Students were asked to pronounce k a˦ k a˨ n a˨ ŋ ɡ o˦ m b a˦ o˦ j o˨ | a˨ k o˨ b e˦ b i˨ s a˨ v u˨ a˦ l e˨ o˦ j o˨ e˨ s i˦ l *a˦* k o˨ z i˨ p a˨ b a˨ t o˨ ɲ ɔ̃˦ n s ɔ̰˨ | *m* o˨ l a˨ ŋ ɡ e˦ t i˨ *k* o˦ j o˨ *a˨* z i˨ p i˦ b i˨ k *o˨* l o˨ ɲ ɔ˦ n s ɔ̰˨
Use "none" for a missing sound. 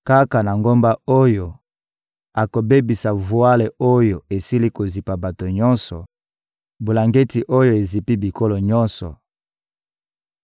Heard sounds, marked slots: i˦, b, ʔ, e˨, o˦

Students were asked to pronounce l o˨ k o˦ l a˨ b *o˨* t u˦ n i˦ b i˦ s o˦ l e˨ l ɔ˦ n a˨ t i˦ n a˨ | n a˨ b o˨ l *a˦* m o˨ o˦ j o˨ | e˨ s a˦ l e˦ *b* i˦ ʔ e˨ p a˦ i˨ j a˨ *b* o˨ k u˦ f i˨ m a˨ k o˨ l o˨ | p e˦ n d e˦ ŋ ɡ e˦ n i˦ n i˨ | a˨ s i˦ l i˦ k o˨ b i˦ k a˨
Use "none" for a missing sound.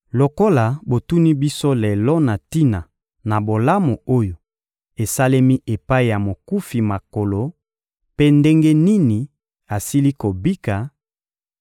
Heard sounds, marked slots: o˨, a˦, m, m

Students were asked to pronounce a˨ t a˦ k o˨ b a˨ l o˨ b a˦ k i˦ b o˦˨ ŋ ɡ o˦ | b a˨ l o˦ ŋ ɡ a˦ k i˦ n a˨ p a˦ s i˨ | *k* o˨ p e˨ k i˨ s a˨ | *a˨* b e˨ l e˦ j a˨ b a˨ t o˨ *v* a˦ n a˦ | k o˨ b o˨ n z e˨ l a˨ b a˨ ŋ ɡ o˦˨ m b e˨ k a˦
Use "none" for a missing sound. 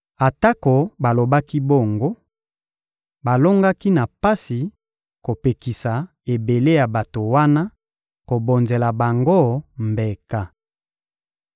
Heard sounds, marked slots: k, e˨, w

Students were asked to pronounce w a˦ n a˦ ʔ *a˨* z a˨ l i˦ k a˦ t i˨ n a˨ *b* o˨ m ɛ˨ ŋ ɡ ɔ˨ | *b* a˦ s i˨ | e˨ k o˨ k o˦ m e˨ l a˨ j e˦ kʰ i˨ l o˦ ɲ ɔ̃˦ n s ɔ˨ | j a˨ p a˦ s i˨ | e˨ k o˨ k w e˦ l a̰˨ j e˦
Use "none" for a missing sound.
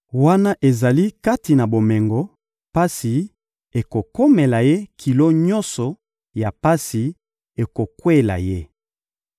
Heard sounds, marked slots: e˨, b, p

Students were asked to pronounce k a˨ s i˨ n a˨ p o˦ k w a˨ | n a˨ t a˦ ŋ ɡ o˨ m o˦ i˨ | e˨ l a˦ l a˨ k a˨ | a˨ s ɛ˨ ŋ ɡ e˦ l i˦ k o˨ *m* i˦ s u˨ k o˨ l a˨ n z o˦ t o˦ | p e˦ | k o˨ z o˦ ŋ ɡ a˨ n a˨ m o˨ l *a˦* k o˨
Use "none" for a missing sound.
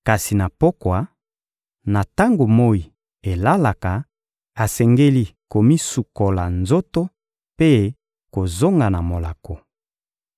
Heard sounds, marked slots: m, a˨

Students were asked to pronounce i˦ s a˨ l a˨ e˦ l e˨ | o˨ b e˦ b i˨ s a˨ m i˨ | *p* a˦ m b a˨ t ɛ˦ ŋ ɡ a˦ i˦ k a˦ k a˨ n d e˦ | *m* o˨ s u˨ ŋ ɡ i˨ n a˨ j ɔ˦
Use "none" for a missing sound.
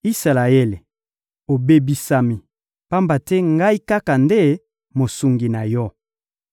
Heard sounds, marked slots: p, m

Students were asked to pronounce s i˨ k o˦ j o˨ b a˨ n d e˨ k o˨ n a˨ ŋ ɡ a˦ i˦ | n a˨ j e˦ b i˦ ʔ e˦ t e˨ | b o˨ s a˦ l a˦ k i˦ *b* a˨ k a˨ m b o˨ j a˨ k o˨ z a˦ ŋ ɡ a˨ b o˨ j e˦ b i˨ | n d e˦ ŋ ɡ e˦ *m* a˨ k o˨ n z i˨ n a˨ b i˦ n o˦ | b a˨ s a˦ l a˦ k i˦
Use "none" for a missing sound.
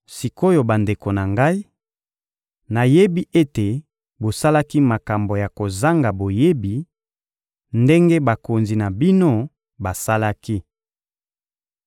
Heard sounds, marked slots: m, b

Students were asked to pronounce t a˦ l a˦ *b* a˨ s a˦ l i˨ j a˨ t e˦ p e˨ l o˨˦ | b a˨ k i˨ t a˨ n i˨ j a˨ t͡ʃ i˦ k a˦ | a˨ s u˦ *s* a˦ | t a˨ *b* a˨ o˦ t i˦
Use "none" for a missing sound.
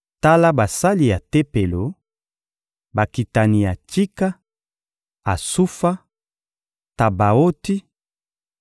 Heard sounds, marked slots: b, f, b

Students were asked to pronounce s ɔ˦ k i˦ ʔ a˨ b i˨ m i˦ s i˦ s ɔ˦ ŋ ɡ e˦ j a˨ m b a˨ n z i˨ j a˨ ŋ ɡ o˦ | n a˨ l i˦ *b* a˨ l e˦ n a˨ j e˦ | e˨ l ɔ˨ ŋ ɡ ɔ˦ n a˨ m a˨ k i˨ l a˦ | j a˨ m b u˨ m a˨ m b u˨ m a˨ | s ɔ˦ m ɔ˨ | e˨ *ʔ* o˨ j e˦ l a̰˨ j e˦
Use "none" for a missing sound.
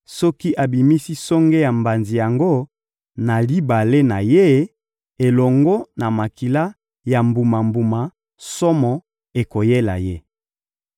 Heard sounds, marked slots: b, k

